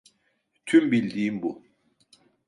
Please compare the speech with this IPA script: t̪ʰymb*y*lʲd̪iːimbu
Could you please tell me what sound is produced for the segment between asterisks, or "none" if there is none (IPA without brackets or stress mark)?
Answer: i